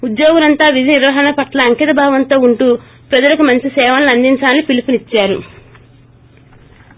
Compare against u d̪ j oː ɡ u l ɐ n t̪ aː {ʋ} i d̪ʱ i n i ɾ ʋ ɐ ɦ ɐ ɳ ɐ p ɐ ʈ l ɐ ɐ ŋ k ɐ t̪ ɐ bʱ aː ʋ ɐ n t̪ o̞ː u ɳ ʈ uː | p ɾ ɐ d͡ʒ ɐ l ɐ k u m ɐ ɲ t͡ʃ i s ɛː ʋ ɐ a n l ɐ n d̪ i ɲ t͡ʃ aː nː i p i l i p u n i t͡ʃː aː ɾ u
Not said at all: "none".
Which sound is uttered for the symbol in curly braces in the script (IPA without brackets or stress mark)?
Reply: ʋ